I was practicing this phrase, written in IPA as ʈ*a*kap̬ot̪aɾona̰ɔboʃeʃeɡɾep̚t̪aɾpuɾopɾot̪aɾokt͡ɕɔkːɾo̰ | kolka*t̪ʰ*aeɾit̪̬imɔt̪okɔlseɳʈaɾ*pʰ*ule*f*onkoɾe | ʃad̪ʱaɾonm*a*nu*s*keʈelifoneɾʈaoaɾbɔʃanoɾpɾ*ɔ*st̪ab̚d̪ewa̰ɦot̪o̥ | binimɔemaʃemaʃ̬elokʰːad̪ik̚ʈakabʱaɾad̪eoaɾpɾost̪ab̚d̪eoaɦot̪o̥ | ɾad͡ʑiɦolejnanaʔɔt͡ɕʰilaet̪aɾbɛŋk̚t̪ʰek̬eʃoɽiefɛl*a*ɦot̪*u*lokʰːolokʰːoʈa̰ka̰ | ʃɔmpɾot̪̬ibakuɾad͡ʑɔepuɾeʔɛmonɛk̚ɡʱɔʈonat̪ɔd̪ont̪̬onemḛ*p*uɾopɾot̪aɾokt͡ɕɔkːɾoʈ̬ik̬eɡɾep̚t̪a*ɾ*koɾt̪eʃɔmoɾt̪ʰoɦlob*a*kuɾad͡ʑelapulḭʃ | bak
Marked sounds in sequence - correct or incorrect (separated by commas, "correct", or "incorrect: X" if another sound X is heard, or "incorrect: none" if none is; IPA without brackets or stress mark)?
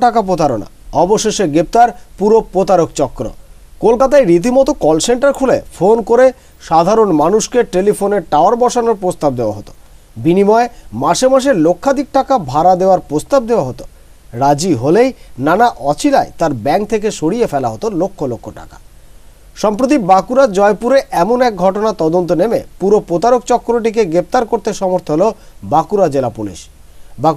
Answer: correct, incorrect: t̪, incorrect: kʰ, correct, correct, incorrect: ʃ, incorrect: o, correct, incorrect: o, correct, correct, correct